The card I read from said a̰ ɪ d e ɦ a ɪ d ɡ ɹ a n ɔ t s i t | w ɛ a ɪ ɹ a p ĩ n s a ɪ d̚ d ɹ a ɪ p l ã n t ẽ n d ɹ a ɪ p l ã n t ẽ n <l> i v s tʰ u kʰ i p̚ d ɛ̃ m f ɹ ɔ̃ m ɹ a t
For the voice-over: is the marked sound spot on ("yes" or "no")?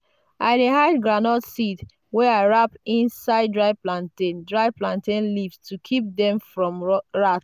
yes